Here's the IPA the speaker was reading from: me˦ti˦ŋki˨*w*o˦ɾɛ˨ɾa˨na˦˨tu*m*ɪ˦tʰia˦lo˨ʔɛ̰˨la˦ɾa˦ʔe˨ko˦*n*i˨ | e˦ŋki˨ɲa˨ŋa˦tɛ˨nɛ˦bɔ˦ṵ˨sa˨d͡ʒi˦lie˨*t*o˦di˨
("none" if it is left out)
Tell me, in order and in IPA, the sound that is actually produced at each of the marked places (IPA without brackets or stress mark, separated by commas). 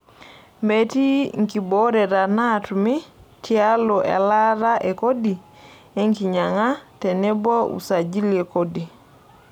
b, m, d, k